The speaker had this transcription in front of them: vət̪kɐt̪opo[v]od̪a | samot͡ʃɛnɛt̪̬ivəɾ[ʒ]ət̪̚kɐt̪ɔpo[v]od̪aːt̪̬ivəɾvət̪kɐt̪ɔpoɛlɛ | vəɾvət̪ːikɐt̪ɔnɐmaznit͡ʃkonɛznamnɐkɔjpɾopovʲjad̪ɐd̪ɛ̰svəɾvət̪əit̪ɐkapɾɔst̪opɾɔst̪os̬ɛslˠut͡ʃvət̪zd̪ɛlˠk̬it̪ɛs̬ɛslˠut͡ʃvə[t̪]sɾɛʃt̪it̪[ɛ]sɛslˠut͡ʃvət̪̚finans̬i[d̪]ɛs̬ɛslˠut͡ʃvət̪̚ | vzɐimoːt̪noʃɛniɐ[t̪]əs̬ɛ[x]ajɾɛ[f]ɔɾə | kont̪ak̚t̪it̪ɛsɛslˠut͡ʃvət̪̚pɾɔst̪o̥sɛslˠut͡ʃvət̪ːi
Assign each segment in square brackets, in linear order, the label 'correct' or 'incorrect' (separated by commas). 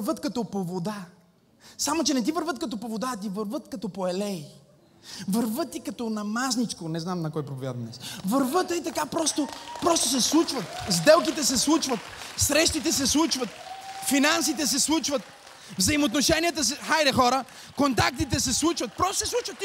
correct, incorrect, correct, correct, correct, incorrect, correct, correct, incorrect